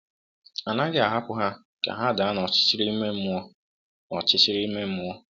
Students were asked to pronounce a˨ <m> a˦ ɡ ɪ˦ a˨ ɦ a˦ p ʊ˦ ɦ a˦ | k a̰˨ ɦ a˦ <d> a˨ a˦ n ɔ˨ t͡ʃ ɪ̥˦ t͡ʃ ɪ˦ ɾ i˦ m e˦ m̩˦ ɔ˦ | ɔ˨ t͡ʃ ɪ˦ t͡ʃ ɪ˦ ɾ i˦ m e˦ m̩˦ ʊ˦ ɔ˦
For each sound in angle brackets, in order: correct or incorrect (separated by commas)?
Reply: incorrect, correct